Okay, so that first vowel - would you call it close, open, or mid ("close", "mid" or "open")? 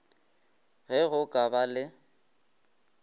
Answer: mid